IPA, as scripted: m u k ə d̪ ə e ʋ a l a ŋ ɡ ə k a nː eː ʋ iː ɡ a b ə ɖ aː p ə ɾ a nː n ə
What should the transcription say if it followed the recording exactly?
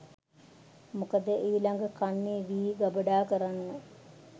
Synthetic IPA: m u k ə d̪ ə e ʋ i l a ŋ ɡ ə k a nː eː ʋ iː ɡ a b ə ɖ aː k ə ɾ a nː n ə